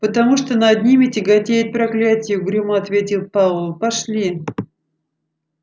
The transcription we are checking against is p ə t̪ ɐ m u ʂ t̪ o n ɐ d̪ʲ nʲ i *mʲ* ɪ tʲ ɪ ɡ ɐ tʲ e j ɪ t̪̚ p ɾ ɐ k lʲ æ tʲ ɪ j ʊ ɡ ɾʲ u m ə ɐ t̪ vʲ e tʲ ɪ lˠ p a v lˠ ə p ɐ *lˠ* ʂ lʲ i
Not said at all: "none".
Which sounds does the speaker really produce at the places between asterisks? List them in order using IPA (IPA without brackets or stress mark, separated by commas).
mʲ, none